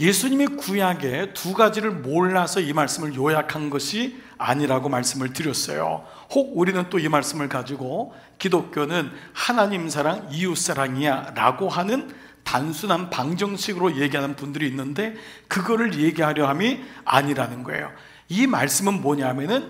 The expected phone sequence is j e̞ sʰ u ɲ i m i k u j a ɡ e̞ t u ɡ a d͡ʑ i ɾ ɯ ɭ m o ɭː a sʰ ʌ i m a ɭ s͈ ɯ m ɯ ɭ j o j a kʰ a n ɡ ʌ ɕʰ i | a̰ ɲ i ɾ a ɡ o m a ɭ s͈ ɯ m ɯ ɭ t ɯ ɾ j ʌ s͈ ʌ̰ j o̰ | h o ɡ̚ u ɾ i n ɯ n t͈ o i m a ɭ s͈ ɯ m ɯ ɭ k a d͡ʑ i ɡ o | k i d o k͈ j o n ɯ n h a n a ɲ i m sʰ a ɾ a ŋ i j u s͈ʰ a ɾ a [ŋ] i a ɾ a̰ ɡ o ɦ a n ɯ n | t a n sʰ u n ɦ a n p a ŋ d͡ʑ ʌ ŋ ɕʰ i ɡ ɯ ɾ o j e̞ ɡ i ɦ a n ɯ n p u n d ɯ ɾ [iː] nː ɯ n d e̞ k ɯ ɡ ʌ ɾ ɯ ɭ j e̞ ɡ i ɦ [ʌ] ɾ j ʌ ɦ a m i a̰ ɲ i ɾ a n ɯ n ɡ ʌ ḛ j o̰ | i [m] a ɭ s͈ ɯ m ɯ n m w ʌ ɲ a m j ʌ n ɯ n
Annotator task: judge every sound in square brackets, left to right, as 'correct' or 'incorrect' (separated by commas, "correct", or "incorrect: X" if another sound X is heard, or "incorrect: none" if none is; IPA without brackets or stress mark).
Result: correct, correct, incorrect: a, correct